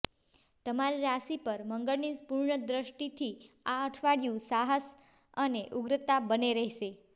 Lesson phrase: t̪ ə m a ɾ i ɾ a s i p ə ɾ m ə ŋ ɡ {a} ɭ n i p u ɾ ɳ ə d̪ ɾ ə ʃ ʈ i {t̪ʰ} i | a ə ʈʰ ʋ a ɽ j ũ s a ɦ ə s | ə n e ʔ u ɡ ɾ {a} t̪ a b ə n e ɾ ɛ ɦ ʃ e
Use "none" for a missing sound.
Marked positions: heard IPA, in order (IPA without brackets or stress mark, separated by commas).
ə, t̪ʰ, ə